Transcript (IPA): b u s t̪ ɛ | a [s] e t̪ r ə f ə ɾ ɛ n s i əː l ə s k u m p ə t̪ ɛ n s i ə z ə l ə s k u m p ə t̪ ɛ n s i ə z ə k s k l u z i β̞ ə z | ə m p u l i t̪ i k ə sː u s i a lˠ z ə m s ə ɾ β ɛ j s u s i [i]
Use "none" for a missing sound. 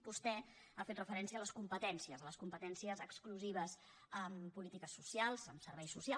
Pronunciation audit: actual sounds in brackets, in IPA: f, a

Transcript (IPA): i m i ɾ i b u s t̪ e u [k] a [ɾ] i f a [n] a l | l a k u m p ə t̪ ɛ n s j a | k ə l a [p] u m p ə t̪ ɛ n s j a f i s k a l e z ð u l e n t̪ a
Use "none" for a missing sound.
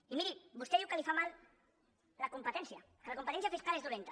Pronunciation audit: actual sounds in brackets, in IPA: k, l, m, k

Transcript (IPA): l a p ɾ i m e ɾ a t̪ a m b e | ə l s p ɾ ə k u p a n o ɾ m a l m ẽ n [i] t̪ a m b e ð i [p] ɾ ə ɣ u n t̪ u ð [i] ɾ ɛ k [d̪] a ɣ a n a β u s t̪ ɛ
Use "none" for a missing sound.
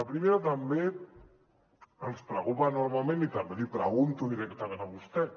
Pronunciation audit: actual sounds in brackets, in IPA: i, p, i, t̪

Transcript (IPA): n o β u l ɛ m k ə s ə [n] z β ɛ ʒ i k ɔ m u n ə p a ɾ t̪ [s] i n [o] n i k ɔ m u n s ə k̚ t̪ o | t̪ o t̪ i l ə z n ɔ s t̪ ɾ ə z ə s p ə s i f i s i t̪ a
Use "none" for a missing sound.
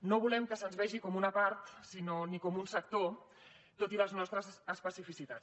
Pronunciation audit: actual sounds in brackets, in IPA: n, s, o

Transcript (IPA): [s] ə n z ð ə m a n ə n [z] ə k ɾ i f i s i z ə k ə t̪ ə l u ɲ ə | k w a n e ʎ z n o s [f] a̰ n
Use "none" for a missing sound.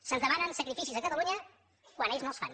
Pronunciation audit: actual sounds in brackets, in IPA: s, s, f

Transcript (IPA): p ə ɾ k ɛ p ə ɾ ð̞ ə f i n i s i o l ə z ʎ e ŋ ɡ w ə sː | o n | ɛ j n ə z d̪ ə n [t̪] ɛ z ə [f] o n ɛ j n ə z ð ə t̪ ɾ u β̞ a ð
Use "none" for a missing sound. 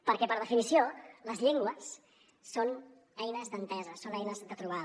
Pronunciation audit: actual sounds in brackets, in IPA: t̪, s

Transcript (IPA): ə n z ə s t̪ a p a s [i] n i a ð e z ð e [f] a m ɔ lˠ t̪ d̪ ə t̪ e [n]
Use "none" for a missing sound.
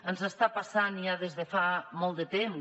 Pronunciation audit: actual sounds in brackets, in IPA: a, f, m

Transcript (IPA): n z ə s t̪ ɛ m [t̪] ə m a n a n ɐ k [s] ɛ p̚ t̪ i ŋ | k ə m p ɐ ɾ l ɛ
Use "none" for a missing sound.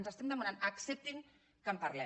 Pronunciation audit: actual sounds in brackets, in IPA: d̪, s

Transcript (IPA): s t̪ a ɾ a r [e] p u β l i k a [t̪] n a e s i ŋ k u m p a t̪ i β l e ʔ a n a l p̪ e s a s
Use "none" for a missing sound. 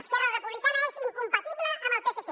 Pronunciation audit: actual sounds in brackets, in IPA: e, none

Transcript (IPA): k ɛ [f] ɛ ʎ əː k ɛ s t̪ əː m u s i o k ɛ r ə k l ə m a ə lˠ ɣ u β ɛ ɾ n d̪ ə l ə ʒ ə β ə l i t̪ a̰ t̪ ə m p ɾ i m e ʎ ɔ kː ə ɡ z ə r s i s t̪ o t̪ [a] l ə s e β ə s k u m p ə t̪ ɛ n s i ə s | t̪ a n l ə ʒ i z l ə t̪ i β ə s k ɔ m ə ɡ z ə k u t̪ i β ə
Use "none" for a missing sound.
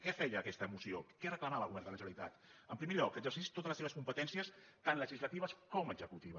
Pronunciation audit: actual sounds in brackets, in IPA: f, ə

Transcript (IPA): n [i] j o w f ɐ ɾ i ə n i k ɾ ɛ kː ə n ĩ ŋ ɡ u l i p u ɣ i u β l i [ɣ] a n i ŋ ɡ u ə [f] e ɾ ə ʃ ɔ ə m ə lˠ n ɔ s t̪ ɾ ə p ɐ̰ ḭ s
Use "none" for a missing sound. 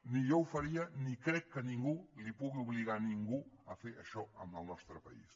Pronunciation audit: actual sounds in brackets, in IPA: i, ɣ, f

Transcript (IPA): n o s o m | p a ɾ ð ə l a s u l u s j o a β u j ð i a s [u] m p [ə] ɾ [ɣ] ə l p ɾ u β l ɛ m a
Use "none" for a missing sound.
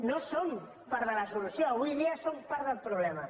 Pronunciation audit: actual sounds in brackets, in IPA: o, a, ð

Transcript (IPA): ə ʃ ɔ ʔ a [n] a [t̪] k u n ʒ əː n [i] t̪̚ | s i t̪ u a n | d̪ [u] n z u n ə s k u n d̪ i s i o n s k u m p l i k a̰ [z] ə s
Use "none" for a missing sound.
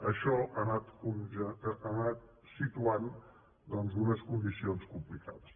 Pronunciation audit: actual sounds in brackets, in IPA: n, t̪, a, ɔ, ð

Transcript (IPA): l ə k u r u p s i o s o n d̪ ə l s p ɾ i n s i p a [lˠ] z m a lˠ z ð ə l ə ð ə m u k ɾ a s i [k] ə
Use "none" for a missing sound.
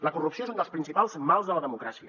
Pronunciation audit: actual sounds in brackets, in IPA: lˠ, none

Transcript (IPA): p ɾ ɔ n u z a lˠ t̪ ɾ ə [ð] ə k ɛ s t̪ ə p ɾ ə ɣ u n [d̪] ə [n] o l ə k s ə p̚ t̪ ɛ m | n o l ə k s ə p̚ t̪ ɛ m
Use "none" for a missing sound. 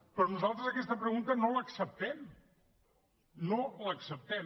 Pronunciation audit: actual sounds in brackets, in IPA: z, t̪, n

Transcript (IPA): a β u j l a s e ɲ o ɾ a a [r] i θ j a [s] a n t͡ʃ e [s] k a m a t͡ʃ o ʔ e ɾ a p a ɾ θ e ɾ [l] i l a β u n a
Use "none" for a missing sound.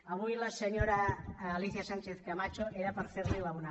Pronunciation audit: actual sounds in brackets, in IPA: l, s, θ, l

